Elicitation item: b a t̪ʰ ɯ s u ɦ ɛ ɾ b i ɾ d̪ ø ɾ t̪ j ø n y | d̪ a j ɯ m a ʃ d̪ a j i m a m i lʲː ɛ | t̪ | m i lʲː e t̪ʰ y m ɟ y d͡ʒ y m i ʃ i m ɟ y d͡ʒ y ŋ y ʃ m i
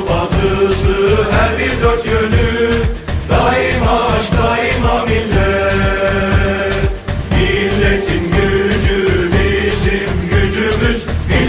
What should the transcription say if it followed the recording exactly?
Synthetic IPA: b a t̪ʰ ɯ s ɯ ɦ æ ɾ b i ɾ d̪ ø ɾ t̪ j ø n y | d̪ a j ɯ m a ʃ d̪ a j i m a m i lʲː ɛ | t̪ | m i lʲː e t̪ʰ i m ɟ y d͡ʒ y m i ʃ i m ɟ y d͡ʒ y m y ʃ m i